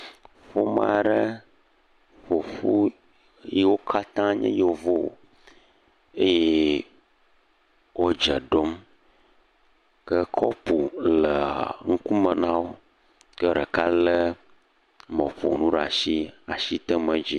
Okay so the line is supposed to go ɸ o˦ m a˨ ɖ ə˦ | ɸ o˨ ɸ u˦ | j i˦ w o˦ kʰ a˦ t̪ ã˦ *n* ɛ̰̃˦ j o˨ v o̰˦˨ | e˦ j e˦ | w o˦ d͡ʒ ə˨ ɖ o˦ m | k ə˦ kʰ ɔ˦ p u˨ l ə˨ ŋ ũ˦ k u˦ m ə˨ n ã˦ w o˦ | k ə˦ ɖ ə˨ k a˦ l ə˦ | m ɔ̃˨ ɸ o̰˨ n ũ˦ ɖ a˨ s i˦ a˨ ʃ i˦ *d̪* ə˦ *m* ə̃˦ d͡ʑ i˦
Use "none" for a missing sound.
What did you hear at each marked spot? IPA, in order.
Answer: ɲ, t̪, m

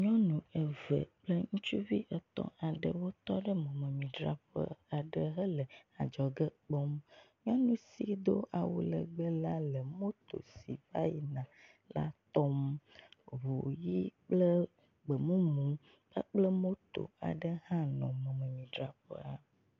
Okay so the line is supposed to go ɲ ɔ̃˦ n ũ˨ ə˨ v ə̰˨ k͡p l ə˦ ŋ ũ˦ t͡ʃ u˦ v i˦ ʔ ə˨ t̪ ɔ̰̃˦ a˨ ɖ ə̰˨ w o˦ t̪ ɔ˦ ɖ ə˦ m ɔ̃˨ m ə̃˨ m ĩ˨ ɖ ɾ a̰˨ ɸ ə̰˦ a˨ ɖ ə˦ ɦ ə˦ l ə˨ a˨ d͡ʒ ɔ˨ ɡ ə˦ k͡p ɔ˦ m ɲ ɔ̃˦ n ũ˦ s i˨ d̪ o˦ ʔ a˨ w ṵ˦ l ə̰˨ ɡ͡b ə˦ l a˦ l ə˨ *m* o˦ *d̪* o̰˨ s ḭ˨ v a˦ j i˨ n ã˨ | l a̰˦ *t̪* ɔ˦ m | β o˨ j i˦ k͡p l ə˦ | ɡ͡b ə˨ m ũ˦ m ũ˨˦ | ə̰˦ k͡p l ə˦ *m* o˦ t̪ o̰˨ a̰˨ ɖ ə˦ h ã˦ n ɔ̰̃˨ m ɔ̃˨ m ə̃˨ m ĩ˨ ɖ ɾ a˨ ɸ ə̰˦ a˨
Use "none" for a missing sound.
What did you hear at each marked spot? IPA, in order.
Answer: m, t̪, t̪, m

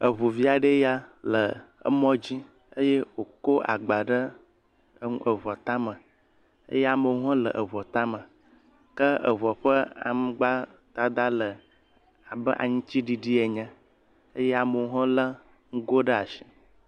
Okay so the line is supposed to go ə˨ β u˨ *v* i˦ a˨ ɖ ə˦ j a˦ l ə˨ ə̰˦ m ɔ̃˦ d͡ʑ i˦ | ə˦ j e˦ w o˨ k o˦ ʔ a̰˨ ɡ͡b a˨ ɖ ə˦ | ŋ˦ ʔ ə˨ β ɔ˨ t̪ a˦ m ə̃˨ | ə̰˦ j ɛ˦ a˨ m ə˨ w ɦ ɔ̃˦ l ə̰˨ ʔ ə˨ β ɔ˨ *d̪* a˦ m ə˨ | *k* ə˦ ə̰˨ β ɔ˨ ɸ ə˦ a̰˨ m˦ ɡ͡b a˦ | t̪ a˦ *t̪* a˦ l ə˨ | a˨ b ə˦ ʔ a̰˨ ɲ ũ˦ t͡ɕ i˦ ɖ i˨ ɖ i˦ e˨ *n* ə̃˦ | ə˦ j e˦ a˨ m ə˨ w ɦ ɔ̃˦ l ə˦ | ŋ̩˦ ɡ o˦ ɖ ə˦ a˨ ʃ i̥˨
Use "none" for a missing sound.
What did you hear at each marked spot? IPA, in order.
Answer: v, t̪, k, d̪, ɲ

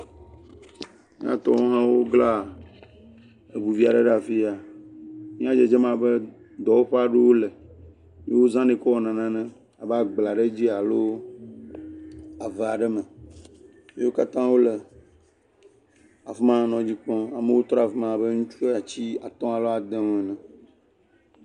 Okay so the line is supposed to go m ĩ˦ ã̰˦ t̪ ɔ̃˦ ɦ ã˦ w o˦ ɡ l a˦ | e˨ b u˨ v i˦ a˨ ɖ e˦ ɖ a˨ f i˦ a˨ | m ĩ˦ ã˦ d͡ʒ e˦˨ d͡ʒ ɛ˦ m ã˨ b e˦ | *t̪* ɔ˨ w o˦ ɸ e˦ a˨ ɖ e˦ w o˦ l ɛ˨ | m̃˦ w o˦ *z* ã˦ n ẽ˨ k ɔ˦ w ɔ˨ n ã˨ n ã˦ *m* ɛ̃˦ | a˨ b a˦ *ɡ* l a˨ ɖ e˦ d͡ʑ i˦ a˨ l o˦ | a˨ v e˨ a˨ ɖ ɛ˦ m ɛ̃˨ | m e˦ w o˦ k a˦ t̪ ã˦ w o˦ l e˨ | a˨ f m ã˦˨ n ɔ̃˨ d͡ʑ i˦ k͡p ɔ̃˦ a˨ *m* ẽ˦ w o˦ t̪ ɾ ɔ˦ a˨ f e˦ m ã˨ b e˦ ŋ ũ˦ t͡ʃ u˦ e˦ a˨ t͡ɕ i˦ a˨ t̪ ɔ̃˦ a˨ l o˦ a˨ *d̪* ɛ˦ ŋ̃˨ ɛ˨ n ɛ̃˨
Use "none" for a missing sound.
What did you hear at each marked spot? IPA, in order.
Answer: d̪, z, n, ɡ͡b, m, d̪

